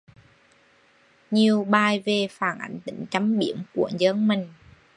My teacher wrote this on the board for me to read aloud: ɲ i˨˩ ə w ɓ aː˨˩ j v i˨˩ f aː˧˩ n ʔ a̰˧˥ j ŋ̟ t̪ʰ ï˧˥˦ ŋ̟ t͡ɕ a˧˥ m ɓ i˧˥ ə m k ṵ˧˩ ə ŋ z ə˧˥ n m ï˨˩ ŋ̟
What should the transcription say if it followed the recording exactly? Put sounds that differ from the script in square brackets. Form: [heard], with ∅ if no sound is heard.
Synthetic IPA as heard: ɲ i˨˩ ə w ɓ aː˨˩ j v [e˨˩] f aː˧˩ n ʔ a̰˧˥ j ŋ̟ [t̪] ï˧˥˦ ŋ̟ t͡ɕ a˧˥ m ɓ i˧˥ ə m k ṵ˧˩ ə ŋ z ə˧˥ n m ï˨˩ ŋ̟